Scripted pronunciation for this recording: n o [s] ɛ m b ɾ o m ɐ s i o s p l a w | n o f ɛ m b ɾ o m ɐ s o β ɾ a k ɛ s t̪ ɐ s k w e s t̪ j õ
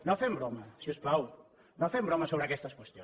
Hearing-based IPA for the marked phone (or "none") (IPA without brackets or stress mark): f